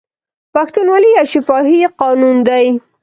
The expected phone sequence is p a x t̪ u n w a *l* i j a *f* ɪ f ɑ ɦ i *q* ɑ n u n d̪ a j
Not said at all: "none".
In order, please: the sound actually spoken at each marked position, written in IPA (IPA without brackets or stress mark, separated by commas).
l, ʃ, q